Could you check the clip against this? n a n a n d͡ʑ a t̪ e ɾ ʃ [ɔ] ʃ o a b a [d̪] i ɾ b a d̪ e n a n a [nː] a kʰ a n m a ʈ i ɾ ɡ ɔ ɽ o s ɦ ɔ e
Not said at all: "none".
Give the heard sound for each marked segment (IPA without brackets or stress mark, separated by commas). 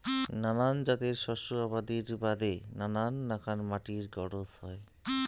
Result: ɔ, d̪, nː